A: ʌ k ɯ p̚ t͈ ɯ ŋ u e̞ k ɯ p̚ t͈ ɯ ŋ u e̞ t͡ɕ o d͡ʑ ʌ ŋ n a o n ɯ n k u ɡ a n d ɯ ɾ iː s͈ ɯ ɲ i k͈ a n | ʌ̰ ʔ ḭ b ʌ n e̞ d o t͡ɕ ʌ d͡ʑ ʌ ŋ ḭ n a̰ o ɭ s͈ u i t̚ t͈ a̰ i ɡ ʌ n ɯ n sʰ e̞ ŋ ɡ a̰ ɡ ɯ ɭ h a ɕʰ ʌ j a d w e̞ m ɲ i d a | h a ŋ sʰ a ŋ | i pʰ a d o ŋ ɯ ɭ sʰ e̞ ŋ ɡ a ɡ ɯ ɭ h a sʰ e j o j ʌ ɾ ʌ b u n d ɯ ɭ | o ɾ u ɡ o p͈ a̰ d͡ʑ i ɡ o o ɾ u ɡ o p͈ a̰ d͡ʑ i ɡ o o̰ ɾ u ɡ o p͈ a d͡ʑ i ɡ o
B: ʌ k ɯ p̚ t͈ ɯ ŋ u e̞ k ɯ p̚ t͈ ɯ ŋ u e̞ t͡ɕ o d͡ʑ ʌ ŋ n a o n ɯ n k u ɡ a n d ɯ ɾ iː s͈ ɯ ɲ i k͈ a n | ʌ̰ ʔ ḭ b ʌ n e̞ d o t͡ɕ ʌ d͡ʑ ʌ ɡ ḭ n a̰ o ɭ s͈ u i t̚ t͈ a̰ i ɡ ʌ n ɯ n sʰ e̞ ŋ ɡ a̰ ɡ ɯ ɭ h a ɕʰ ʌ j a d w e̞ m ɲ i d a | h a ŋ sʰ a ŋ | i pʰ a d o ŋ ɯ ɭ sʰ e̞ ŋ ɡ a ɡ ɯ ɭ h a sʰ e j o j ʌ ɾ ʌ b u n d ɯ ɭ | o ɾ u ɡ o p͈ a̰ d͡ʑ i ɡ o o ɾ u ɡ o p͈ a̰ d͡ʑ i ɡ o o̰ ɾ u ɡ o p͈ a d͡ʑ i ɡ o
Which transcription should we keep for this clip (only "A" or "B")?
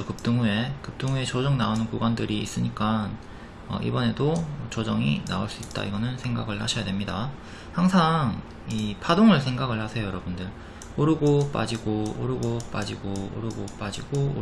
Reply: A